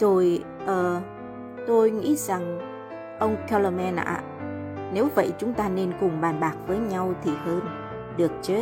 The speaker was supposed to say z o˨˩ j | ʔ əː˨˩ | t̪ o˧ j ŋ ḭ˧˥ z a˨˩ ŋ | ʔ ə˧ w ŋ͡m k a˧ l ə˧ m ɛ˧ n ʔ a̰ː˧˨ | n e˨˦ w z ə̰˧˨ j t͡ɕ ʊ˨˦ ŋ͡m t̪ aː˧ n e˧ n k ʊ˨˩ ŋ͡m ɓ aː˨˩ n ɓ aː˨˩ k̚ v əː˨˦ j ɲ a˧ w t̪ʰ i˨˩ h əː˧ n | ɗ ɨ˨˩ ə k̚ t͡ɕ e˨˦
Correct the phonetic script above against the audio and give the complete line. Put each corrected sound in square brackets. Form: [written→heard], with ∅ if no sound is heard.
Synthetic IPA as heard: z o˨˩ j | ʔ əː˨˩ | t̪ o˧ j ŋ ḭ˧˥ z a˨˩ ŋ | ʔ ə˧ w ŋ͡m k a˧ l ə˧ m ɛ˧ n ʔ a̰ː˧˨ | n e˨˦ w [z→v] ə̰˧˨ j t͡ɕ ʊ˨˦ ŋ͡m t̪ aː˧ n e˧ n k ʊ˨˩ ŋ͡m ɓ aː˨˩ n ɓ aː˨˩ k̚ v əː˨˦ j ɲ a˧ w t̪ʰ i˨˩ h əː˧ n | ɗ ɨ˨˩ ə k̚ t͡ɕ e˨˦